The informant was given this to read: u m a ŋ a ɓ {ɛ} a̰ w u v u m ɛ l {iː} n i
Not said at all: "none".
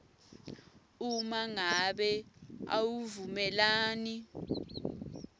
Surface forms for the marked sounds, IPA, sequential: ɛ, aː

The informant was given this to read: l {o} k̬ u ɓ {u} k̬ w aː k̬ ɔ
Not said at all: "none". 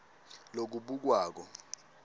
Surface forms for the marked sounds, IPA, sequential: o, u

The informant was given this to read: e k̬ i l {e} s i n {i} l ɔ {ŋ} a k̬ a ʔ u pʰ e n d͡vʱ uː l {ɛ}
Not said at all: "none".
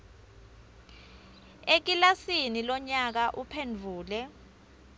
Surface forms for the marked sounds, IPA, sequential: a, i, ɲ, ɛ

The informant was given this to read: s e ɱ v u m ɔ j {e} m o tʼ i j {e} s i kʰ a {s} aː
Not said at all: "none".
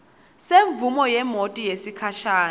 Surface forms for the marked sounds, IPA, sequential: ɛ, e, ʃ

